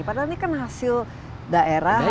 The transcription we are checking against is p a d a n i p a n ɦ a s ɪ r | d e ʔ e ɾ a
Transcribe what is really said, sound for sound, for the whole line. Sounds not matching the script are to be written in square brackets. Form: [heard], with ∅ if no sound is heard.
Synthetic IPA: p a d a n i [k] a n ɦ a s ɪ [l] | d [a] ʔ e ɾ a